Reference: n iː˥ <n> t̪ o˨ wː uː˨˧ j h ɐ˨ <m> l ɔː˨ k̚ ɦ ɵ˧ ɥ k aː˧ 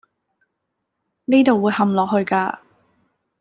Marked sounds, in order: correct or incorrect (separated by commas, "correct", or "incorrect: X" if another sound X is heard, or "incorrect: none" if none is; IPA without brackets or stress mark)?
incorrect: none, correct